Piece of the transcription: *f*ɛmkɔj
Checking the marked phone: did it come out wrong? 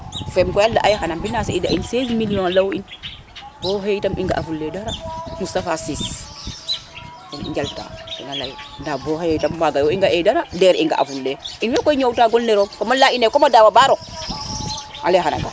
no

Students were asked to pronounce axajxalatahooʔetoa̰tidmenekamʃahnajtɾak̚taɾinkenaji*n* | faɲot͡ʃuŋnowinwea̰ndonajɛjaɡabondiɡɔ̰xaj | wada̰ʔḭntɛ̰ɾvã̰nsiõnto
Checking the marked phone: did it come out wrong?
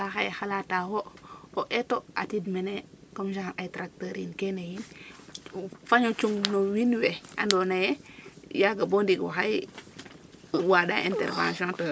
no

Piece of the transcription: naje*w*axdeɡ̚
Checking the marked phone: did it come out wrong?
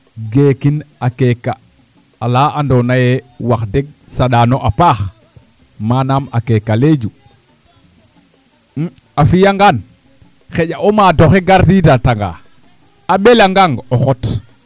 no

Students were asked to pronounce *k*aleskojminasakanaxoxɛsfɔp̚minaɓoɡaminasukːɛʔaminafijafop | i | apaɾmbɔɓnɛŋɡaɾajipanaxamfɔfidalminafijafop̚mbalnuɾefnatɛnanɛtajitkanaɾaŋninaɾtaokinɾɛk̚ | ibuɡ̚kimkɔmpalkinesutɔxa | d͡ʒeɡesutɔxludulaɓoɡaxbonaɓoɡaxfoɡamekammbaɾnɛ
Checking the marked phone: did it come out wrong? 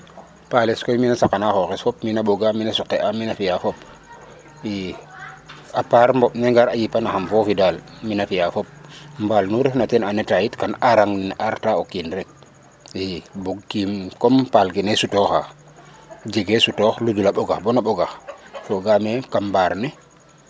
yes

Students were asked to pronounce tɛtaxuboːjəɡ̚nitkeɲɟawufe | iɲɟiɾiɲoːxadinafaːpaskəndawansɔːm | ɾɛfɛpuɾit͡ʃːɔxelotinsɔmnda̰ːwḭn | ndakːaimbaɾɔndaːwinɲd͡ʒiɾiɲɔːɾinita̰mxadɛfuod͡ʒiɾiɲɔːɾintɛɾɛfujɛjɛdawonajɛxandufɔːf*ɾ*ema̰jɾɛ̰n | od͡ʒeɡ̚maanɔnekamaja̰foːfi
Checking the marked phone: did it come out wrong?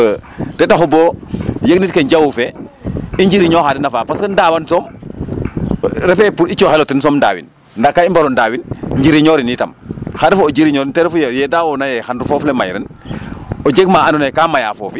yes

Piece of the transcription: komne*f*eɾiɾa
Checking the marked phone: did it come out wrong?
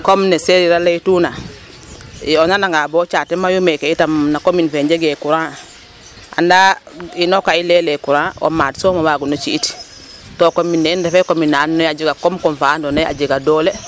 yes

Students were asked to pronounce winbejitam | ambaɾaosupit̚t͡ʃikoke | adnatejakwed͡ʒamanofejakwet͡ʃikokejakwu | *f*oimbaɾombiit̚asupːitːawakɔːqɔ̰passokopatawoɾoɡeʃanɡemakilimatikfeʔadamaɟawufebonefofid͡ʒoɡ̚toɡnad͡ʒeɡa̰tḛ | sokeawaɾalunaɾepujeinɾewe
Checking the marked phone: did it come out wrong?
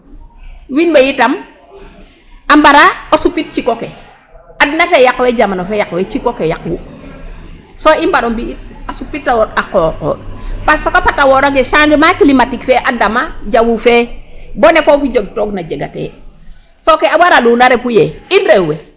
yes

